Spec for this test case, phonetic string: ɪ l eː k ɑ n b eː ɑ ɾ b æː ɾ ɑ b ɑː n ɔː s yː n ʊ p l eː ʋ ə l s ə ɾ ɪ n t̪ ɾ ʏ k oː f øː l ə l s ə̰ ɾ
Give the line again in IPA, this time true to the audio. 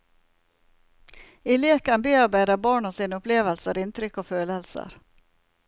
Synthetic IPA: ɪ l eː k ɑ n b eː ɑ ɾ b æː ɾ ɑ b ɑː ɳ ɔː s iː n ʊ p l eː ʋ ə l s ə ɾ ɪ n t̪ ɾ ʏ k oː f øː l ə l s ə̰ ɾ